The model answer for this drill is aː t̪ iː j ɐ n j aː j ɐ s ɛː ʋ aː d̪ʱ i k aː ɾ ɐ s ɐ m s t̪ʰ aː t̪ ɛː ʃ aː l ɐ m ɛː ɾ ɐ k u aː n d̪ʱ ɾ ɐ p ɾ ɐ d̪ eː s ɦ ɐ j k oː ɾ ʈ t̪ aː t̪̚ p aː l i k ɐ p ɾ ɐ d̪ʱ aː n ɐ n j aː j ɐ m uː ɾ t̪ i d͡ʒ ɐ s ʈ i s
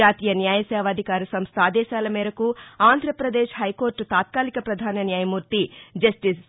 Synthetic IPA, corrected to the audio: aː t̪ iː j ɐ n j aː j ɐ s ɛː ʋ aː d̪ʱ i k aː ɾ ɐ s ɐ m s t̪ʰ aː d̪ ɛː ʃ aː l ɐ m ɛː ɾ ɐ k u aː n d̪ʱ ɾ ɐ p ɾ ɐ d̪ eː ʃ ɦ ɐ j k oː ɾ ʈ t̪ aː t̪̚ k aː l i k ɐ p ɾ ɐ d̪ʱ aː n ɐ n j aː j ɐ m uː ɾ t̪ i d͡ʒ ɐ s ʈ i s

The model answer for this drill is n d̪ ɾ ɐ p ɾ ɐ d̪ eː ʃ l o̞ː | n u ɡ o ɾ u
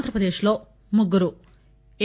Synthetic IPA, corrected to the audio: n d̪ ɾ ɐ p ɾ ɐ d̪ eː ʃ l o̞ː | m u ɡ u ɾ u

